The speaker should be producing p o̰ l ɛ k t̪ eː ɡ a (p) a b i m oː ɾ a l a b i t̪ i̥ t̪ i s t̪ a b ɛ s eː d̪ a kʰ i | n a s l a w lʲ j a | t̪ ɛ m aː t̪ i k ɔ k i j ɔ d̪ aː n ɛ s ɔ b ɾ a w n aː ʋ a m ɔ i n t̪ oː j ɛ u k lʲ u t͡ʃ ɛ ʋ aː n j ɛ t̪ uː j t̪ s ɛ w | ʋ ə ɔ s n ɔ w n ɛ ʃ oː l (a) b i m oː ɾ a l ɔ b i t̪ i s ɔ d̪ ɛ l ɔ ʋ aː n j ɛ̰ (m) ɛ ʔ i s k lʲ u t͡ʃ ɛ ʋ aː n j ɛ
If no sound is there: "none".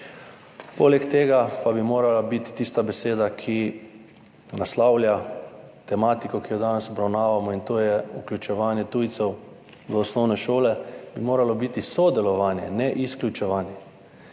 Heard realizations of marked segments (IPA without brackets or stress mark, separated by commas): p, ɛ, n